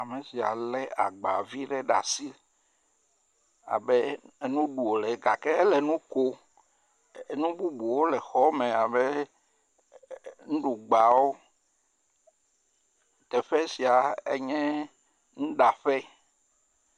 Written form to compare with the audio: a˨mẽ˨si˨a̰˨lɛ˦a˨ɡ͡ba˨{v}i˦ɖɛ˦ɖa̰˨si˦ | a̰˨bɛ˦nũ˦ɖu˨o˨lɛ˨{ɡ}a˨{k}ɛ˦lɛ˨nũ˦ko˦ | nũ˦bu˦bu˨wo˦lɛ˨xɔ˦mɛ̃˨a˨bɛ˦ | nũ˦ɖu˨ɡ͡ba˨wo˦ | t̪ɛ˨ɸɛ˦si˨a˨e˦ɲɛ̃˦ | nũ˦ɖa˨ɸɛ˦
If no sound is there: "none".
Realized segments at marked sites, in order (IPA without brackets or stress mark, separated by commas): v, ɡ, k